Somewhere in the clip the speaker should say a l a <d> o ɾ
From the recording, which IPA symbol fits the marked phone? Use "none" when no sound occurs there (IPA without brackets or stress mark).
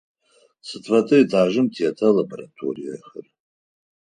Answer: b